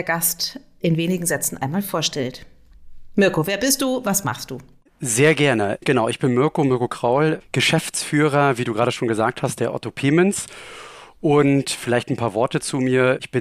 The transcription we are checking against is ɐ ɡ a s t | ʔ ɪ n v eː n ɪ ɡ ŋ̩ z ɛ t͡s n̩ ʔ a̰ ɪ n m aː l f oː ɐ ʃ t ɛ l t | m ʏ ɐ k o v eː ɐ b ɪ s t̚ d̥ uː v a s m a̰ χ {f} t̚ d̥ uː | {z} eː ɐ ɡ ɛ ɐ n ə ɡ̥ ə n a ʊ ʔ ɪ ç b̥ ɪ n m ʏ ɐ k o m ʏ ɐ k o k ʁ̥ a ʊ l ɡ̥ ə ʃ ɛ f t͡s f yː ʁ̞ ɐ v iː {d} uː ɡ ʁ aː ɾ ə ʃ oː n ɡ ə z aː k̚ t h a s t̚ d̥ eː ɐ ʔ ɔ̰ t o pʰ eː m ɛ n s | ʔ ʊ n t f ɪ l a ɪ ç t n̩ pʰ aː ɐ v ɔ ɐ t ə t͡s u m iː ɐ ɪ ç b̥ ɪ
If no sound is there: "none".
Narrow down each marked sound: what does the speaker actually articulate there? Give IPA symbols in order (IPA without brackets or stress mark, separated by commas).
s, z, d